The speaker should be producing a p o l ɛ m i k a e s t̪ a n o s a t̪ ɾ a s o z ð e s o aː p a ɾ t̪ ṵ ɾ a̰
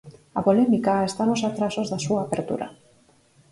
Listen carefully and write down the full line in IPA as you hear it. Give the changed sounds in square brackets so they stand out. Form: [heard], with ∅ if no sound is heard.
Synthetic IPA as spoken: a p o l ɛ m i k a e s t̪ a n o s a t̪ ɾ a s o z ð [a] s [u] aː p [e] ɾ t̪ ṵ ɾ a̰